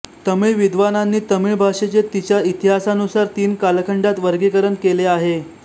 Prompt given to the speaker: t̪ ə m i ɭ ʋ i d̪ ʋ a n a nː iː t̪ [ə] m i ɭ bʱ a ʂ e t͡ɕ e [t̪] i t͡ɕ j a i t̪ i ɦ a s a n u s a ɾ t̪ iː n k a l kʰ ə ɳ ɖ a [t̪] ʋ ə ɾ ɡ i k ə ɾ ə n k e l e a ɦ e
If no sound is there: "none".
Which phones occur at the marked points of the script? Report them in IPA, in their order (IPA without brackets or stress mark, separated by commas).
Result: ə, t̪, t̪